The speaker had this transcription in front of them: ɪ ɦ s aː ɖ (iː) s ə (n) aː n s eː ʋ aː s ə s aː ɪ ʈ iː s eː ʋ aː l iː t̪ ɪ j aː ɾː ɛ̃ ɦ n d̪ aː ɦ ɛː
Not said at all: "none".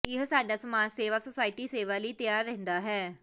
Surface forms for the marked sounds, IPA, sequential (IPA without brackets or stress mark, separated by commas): aː, m